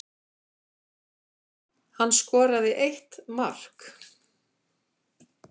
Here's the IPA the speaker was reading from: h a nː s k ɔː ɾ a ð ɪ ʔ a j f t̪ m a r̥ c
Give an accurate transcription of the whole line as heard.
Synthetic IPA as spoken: h a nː s k ɔː ɾ a ð ɪ ʔ e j h t̪ m a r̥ k

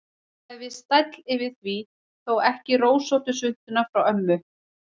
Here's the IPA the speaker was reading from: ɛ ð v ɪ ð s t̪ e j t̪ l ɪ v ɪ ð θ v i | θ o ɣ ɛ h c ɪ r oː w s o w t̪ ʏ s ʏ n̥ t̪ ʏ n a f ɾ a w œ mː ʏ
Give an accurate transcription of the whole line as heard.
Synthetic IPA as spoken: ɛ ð v ɪ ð s t̪ a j t̪ l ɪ v ɪ ð θ v i | θ o w ɛ h c ɪ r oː w s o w t̪ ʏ s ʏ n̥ t̪ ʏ n a f ɾ a w œ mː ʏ

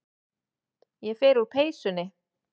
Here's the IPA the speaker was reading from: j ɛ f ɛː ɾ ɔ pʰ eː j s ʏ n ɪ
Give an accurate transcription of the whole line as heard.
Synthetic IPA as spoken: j ɛ f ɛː ɾ u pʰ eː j s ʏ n ɪ

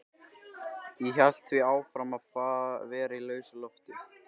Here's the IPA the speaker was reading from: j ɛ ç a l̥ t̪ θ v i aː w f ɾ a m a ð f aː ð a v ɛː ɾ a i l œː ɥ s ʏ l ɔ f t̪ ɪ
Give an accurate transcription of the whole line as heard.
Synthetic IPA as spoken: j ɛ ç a l̥ t̪ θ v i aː w f ɾ a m a ð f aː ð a v ɛː ɾ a i l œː ɥ s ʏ l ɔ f t̪ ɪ

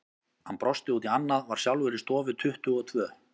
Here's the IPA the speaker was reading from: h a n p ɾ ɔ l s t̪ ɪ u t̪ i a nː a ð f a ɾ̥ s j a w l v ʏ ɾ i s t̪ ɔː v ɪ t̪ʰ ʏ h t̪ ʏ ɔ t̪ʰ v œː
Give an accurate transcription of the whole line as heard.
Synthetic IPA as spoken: h a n p ɾ ɔ s t̪ ɪ u t̪ i a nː a ð v a ɾ̥ s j a w l v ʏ ɾ ɪ s t̪ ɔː v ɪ t̪ʰ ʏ h t̪ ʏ ɔ t̪ʰ v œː

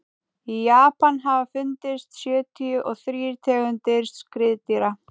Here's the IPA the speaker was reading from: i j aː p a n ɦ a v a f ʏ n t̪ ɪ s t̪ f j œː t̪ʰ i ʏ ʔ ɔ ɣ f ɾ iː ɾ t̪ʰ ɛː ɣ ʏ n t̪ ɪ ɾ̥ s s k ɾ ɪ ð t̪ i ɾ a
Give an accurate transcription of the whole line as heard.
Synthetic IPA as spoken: i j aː p a n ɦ a v a f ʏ n t̪ ɪ s t̪ s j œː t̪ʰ i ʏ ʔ ɔ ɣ θ ɾ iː ɾ t̪ʰ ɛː ɣ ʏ n t̪ ɪ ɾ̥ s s k ɾ ɪ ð t̪ i ɾ a

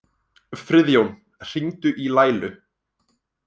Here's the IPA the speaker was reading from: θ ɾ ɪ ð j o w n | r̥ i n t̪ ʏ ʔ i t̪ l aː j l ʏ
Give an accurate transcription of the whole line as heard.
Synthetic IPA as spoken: f ɾ ɪ ð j o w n | r̥ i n t̪ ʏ ʔ i l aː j l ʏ

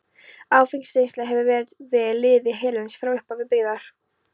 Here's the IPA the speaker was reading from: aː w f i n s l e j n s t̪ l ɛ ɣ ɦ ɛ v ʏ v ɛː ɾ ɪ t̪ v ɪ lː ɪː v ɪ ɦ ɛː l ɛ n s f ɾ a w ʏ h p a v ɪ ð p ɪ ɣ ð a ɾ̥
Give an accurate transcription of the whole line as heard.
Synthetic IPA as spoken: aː w f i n s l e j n s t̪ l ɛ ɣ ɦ ɛ v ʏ v ɛː ɾ ɪ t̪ v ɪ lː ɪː ð ɪ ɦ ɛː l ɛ n s f ɾ a w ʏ h p a v ɪ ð p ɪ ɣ ð a ɾ̥

